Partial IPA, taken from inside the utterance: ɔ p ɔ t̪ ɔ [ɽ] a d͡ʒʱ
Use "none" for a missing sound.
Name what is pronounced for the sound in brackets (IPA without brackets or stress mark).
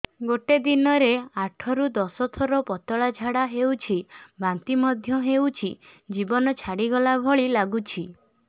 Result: ɭ